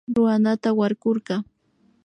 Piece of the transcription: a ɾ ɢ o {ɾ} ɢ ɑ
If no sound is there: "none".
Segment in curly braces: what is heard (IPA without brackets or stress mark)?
ɾ